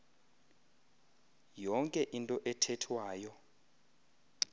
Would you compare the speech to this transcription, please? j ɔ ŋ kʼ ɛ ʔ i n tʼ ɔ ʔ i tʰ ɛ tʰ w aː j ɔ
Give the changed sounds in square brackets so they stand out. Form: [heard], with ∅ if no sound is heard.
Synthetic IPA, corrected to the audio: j ɔ ŋ kʼ ɛ ʔ i n tʼ ɔ ʔ [ɛ] tʰ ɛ tʰ w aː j ɔ